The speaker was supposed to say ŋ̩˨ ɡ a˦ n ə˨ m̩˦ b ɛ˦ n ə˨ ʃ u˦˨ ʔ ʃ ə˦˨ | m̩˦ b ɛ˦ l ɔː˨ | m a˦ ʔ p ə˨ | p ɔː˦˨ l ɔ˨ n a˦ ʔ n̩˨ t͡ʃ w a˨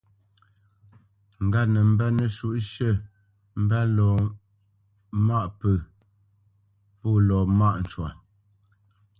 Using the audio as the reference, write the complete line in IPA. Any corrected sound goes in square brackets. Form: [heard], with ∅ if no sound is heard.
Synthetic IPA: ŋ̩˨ ɡ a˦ n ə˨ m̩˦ b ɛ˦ n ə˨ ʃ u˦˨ ʔ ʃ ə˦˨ | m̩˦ b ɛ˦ l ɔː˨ | m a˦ ʔ p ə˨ | p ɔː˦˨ l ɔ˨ [m] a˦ ʔ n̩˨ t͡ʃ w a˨